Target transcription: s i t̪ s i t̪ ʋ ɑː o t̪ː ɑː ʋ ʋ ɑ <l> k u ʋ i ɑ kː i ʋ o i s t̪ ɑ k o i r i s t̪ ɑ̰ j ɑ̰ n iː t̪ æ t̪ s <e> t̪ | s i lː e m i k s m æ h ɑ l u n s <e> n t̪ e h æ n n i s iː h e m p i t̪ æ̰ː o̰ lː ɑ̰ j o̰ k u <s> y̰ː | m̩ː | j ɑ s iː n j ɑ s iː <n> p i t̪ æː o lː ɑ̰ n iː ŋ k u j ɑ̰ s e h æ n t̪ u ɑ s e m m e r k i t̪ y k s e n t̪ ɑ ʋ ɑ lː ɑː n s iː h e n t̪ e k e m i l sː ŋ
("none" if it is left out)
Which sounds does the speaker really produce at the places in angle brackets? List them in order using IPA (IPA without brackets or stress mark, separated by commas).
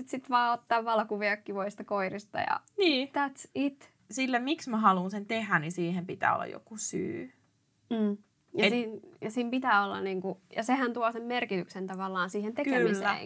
l, i, e, s, m